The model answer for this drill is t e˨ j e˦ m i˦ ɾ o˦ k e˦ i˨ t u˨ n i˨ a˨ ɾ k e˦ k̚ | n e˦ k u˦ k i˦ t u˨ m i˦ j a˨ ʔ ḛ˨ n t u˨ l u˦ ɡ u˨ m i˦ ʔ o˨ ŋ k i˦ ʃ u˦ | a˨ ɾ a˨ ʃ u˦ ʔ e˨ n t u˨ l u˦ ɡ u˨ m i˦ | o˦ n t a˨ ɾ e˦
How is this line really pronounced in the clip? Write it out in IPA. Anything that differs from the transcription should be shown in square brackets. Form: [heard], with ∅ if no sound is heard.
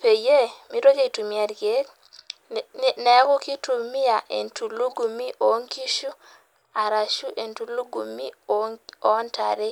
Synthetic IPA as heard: [p] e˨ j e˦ m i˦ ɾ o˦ k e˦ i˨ t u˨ [m] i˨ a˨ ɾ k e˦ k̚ | n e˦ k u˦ k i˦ t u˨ m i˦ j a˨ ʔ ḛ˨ n t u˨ l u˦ ɡ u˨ m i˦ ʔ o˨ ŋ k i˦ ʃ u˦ | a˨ ɾ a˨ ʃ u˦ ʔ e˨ n t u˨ l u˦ ɡ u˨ m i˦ | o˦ n t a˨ ɾ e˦

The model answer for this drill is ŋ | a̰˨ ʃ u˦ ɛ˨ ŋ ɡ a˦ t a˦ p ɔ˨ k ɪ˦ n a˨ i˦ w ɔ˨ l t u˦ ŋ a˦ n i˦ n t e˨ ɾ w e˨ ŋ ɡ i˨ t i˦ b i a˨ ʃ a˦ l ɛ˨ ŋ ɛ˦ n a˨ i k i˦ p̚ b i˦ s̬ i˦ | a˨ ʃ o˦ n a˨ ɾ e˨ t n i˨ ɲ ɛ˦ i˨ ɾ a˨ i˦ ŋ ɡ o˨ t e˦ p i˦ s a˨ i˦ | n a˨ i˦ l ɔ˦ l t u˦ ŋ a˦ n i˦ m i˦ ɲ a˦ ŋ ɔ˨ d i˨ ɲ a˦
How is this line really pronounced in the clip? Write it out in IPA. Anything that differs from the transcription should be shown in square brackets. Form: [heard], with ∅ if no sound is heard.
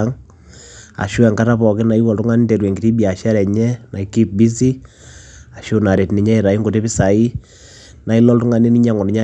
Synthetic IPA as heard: ŋ | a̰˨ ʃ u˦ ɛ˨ ŋ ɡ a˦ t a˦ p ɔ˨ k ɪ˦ n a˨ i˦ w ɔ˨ l t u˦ ŋ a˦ n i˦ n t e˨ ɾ w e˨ ŋ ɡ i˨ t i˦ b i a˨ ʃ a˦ [ɾ] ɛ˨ [ɲ] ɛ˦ n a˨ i k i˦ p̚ b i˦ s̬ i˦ | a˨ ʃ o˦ n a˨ ɾ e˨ t n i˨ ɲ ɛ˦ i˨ ɾ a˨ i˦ ŋ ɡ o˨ t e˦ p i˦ s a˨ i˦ | n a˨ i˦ l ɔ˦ l t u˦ ŋ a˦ n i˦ [n] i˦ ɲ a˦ ŋ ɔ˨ [n] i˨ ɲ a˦

